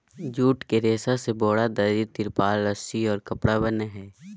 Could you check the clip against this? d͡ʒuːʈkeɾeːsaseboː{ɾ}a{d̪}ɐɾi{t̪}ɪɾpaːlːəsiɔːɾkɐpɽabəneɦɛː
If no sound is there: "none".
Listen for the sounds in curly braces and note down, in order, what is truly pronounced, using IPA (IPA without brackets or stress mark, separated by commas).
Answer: ɽ, d̪, t̪